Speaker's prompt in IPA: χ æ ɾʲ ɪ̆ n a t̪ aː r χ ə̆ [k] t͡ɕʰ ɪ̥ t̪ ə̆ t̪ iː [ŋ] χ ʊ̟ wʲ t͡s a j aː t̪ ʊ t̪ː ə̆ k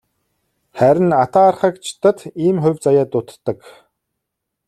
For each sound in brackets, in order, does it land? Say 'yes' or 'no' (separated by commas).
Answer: yes, no